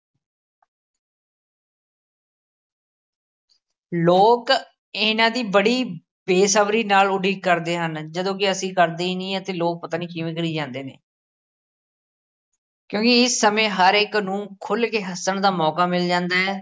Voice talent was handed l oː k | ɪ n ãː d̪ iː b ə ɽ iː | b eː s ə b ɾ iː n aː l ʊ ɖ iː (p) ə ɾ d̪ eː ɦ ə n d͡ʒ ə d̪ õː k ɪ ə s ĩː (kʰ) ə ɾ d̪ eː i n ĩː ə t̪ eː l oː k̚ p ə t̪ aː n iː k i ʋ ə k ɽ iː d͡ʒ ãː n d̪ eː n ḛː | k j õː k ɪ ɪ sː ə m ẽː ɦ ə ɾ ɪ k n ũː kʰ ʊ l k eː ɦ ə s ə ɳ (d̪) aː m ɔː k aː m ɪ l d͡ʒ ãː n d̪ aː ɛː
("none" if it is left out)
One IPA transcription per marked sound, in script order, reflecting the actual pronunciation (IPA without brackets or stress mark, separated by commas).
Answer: k, k, d̪